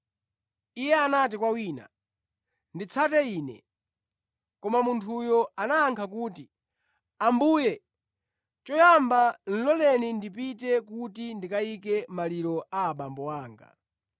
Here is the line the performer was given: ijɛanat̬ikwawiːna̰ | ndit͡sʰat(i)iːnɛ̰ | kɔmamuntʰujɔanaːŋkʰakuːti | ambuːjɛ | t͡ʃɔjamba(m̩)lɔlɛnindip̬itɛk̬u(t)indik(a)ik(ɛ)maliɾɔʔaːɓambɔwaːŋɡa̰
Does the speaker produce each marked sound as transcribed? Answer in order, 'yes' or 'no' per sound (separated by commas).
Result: no, no, yes, yes, yes